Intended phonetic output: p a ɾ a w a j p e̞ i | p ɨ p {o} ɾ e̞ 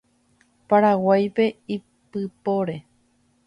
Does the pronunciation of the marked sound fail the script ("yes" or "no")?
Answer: no